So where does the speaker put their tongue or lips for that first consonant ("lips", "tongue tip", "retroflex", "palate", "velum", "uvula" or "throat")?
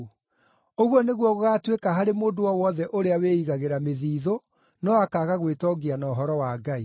velum